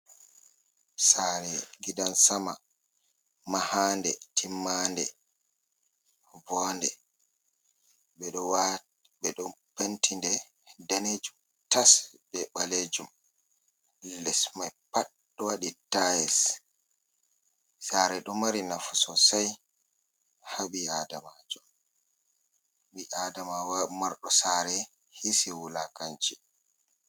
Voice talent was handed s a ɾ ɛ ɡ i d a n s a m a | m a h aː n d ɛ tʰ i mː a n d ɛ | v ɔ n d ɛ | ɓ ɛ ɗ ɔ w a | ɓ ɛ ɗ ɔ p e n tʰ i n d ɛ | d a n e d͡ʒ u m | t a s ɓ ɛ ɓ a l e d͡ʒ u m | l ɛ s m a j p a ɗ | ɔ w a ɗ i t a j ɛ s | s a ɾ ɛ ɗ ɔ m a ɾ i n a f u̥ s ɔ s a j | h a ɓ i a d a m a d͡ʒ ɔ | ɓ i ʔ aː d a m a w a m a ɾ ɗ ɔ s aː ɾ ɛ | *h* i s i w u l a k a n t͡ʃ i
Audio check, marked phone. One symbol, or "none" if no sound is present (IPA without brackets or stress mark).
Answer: h